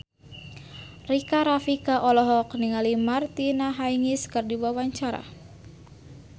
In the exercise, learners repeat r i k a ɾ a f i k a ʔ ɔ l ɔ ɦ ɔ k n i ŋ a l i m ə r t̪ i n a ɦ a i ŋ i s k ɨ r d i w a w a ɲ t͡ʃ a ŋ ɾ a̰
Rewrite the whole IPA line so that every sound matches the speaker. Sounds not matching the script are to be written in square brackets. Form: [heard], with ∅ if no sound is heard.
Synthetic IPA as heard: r i k a ɾ a f i k a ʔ ɔ l ɔ ɦ ɔ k n i ŋ a l i m [a] r t̪ i n a ɦ a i ŋ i s k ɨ r d i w a w a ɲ t͡ʃ a [∅] ɾ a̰

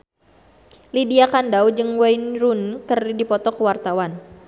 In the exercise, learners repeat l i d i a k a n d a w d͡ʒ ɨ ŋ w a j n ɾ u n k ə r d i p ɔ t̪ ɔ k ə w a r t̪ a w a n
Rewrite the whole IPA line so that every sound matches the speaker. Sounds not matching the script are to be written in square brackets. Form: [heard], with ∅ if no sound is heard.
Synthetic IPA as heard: l i d i a k a n d a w d͡ʒ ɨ ŋ w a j n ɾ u n k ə r d i p ɔ t̪ ɔ k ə w a r t̪ a w a n

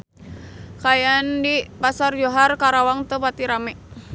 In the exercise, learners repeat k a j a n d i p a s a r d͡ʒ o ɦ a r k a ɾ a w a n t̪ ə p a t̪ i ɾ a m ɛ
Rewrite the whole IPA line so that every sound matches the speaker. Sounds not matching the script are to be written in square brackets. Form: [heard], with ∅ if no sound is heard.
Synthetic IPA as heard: k a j a n d i p a s a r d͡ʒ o ɦ a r k a ɾ a w a [ŋ] t̪ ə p a t̪ i ɾ a m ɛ

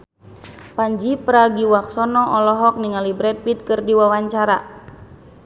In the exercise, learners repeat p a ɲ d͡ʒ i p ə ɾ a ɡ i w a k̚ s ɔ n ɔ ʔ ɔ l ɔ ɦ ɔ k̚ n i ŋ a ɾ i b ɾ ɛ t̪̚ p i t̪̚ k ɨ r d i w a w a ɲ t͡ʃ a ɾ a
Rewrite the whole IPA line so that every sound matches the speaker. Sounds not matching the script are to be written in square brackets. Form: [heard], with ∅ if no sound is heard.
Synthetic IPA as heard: p a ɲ d͡ʒ i p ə ɾ a ɡ i w a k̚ s ɔ n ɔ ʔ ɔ l ɔ ɦ ɔ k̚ n i ŋ a [l] i b ɾ ɛ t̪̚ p i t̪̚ k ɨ r d i w a w a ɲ t͡ʃ a ɾ a

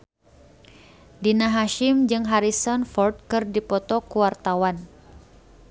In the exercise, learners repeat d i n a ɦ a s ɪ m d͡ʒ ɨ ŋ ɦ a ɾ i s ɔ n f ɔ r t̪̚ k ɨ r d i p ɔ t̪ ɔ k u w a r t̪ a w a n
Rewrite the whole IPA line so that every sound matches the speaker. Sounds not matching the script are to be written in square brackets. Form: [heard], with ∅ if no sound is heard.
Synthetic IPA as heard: d i n a ɦ a [ʃ] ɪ m d͡ʒ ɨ ŋ ɦ a ɾ i s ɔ n f ɔ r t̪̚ k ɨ r d i p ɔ t̪ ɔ k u w a r t̪ a w a n

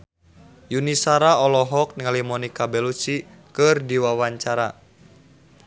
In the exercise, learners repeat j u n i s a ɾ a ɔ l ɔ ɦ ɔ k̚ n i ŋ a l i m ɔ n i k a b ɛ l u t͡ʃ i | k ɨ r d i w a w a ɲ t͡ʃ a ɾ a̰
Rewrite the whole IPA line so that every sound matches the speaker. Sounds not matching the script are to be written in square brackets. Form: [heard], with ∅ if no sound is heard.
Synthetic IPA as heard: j u n i s a ɾ a ɔ l ɔ ɦ ɔ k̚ n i ŋ a l i m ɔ n i k a b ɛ l u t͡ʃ i | k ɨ r d i w a w a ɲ t͡ʃ a ɾ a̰

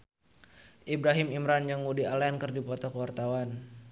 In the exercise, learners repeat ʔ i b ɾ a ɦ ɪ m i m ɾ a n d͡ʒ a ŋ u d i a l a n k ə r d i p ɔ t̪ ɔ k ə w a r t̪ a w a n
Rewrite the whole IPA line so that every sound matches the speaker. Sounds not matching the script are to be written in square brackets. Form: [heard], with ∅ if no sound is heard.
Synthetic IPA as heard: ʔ i b ɾ a ɦ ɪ m i m ɾ a n d͡ʒ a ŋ u d i a l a n k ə r d i p ɔ t̪ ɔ k ə w a r t̪ a w a n

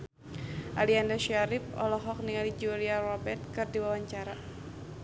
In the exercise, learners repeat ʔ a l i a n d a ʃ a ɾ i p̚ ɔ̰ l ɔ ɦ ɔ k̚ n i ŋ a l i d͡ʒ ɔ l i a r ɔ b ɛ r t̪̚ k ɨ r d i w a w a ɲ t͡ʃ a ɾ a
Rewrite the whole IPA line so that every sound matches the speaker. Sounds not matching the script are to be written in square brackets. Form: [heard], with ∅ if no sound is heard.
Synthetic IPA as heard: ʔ a l i a n d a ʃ a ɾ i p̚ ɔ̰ l ɔ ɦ ɔ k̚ n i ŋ a l i d͡ʒ [u] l i a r ɔ b ɛ r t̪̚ k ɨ r d i w a w a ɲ t͡ʃ a ɾ a

